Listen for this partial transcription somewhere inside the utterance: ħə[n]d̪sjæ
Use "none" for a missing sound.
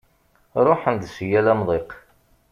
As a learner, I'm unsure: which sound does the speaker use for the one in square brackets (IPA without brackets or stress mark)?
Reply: n